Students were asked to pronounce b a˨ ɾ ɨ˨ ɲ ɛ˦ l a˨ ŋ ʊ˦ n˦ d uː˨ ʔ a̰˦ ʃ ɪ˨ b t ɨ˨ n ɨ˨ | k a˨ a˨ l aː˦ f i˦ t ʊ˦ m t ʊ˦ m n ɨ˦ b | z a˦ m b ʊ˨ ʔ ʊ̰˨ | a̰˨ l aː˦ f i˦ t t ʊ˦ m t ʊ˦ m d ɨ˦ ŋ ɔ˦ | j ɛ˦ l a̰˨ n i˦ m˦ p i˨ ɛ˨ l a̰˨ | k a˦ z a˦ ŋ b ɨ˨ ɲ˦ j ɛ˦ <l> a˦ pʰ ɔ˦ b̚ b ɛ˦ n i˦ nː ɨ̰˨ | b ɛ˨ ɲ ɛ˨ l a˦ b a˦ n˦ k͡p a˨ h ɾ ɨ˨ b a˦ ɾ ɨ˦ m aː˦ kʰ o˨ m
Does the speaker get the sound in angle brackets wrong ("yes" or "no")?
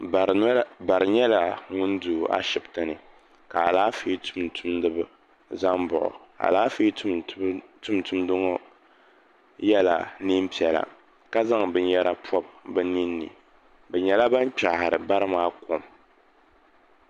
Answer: yes